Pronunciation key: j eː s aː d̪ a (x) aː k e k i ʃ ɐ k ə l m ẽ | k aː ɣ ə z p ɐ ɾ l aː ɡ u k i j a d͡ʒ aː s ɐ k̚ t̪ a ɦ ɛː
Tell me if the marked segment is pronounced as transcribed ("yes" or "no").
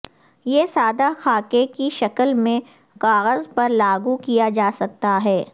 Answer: yes